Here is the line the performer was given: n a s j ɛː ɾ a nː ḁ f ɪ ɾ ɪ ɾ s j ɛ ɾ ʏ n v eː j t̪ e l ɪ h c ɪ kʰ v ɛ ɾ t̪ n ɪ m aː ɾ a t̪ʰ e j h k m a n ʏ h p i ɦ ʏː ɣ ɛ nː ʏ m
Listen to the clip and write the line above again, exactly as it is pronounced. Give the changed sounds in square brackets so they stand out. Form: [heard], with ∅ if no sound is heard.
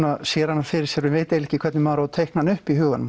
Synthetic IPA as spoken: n a s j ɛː ɾ a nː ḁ f ɪ ɾ ɪ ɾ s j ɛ ɾ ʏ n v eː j t̪ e l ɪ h c ɪ kʰ v ɛ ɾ t̪ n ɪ m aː ɾ a t̪ʰ e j h k [n] a n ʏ h p i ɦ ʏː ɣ [a] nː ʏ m